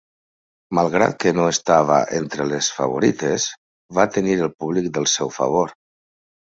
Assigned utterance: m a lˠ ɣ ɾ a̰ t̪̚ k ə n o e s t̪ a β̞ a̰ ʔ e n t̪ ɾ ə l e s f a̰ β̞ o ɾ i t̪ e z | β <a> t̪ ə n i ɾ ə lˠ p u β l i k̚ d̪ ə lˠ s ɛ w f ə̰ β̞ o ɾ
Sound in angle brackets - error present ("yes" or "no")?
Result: no